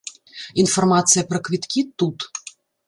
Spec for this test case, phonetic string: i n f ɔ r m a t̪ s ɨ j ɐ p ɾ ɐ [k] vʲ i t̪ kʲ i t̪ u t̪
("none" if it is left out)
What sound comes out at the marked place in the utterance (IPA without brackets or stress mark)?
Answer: k